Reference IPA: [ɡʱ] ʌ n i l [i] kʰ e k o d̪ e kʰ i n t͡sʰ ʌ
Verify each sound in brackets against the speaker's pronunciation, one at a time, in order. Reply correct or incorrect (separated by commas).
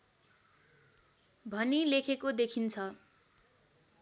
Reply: incorrect, incorrect